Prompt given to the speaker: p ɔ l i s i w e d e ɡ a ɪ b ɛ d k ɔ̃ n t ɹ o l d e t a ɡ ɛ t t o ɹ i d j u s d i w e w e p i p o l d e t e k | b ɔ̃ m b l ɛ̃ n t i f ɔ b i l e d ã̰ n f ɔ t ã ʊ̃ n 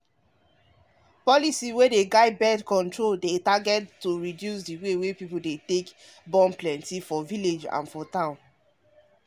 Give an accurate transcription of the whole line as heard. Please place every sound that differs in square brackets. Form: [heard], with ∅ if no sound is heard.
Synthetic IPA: p ɔ l i s i w e d e ɡ a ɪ b ɛ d k ɔ̃ n t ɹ o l d e t a ɡ ɛ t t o ɹ i d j u s d i w e w e p i p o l d e t e k | b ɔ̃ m [p] l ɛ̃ n t i f ɔ [v] i l e [d͡ʒ] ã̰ n f ɔ t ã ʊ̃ n